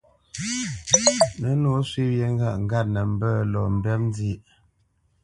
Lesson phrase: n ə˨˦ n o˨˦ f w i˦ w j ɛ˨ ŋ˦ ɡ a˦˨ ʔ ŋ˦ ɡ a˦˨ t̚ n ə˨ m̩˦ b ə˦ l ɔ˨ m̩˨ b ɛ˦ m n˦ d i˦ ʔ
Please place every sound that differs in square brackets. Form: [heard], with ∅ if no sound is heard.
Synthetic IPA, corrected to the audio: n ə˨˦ n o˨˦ [s] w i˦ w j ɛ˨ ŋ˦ ɡ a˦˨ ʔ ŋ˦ ɡ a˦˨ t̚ n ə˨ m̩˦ b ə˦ l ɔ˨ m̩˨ b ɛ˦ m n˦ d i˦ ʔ